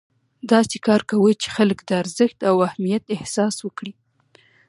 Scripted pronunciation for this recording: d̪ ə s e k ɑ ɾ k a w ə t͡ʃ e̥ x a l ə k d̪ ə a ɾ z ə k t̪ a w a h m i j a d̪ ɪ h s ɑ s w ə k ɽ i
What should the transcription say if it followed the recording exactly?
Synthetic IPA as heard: d̪ ɑ s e k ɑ ɾ k a w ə t͡ʃ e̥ x a l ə k d̪ ə a ɾ z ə x t̪ a w a h m i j a t̪ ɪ h s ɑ s w ə k ɽ i